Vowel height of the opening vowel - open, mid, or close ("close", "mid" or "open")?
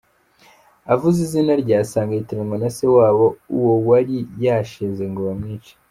open